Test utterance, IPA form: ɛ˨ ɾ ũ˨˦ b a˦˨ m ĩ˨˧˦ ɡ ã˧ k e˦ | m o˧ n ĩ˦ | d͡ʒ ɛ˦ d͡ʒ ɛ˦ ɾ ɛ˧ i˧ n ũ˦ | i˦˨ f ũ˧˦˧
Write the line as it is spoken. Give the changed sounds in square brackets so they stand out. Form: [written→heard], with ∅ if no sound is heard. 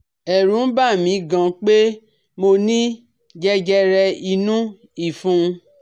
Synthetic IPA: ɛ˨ ɾ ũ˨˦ b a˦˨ m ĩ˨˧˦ ɡ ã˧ [k→k͡p] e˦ | m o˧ n ĩ˦ | d͡ʒ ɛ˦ d͡ʒ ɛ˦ ɾ ɛ˧ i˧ n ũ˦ | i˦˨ f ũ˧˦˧